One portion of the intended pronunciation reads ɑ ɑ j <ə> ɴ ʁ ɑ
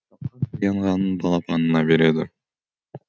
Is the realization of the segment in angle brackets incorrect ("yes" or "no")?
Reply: yes